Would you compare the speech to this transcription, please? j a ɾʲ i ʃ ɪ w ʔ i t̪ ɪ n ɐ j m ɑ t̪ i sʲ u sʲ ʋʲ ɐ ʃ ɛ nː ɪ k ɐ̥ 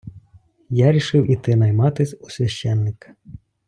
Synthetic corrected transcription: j a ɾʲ i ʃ ɪ w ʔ i t̪ ɪ n ɐ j m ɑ t̪ ɪ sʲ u sʲ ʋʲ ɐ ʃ ɛ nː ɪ k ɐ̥